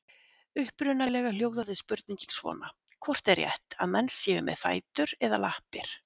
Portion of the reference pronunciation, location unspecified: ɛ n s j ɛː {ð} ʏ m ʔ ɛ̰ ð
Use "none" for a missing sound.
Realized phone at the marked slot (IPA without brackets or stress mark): v